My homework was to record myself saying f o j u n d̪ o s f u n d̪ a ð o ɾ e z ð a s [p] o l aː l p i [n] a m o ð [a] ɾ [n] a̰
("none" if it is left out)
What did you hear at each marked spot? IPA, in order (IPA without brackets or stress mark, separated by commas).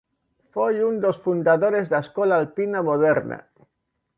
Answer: k, n, e, n